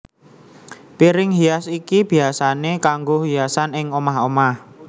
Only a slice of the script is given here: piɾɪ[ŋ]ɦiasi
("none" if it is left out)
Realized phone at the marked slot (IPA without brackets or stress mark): ŋ